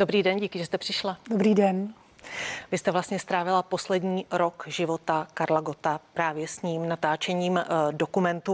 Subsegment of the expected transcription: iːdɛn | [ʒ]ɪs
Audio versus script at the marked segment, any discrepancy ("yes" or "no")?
yes